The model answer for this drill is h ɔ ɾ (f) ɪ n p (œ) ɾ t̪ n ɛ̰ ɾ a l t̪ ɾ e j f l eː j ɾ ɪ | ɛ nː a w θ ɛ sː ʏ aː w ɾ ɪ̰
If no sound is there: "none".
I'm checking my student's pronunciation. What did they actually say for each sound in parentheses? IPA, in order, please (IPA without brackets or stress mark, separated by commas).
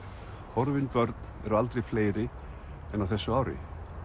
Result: v, œ